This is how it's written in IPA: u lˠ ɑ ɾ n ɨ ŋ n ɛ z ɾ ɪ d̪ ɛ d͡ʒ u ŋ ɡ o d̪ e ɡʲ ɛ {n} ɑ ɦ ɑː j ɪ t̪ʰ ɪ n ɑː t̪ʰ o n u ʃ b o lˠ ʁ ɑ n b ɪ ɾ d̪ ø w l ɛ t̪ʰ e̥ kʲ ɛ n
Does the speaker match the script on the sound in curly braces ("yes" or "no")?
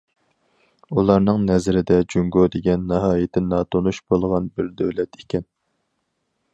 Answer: no